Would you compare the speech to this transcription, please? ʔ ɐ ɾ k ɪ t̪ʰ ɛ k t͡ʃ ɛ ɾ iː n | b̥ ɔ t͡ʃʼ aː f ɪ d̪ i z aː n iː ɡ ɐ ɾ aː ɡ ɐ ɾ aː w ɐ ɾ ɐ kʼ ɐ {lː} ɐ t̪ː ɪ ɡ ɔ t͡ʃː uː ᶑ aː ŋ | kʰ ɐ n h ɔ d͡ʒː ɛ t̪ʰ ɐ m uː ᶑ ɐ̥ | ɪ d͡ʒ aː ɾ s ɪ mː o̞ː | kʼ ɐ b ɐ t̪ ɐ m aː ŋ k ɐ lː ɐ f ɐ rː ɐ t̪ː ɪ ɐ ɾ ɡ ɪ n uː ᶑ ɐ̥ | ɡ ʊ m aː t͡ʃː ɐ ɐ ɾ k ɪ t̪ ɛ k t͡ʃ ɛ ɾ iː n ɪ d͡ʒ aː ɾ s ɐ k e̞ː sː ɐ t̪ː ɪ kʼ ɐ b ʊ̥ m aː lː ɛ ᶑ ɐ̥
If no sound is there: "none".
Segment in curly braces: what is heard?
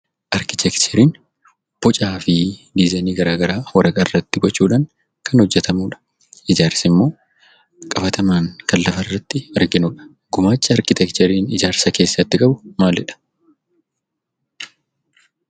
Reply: rː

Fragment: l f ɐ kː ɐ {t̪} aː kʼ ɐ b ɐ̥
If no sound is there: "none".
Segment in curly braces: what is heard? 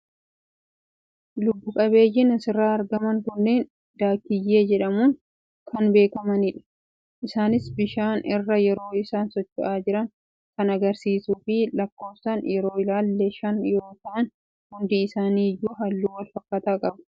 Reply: t̪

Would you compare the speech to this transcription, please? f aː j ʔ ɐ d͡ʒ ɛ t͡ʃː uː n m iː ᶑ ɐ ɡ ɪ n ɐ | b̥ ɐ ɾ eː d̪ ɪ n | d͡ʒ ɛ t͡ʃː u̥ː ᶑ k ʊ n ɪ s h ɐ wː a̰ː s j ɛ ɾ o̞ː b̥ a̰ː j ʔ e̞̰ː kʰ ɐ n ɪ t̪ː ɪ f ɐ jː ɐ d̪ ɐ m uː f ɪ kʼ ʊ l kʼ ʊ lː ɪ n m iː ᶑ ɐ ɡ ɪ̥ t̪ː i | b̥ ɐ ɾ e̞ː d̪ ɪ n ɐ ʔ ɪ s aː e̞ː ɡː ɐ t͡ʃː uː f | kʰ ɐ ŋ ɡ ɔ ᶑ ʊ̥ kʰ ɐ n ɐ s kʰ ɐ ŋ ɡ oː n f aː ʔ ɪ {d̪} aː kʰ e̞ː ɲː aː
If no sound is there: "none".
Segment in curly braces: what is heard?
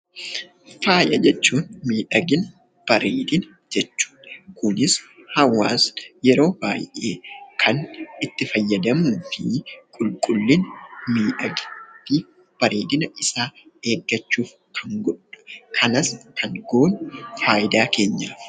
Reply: d̪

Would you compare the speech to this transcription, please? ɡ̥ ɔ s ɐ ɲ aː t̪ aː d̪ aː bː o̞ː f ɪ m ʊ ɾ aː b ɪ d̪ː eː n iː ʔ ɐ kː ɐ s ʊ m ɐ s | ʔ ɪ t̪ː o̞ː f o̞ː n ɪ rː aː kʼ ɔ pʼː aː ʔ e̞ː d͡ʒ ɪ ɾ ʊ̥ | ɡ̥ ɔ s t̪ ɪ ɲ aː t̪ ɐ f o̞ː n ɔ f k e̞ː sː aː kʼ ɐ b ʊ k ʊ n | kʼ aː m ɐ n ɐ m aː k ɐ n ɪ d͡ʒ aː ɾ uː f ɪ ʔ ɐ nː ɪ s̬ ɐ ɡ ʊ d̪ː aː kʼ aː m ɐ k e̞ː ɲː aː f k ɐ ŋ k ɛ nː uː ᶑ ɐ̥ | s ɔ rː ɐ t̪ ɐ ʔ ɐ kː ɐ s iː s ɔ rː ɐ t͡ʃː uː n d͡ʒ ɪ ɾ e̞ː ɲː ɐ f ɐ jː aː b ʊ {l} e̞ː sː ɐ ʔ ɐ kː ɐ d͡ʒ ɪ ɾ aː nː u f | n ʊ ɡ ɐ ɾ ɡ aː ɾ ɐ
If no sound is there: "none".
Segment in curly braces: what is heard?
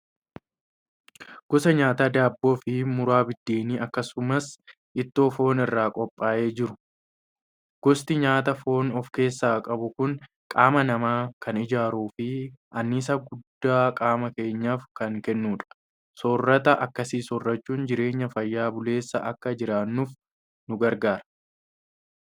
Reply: l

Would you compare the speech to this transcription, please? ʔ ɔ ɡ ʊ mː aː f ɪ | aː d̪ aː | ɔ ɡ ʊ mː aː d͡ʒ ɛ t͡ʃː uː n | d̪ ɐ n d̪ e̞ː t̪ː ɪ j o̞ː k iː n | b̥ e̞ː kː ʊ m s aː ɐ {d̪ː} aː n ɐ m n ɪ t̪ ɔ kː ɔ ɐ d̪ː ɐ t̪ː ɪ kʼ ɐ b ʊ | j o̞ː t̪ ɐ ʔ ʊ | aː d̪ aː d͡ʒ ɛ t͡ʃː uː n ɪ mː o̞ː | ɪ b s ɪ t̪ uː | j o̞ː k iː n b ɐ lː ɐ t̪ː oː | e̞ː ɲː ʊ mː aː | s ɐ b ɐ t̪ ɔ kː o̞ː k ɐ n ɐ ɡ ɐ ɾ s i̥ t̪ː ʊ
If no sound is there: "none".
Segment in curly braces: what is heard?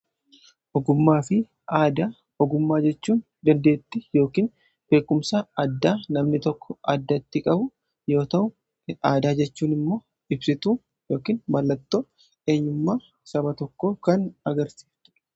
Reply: d̪ː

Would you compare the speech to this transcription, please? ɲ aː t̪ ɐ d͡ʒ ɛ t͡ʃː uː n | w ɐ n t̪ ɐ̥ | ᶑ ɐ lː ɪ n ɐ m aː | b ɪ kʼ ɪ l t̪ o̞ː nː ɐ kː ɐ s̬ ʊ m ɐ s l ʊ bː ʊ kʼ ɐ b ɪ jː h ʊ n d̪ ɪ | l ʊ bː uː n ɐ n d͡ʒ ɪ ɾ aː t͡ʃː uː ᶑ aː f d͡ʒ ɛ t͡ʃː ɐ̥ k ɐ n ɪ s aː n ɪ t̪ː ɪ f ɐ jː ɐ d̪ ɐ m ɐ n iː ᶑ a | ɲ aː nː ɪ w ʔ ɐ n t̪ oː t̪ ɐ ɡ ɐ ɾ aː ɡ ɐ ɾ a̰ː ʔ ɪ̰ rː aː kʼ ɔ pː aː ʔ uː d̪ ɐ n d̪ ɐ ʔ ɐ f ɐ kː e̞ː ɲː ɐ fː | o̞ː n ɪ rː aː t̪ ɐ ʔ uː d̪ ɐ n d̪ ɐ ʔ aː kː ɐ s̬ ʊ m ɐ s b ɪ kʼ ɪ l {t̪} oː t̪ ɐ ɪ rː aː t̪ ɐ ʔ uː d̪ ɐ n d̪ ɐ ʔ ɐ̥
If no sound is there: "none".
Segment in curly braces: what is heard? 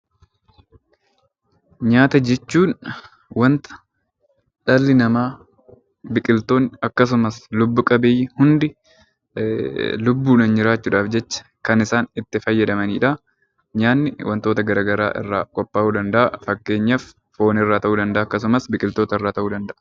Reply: t̪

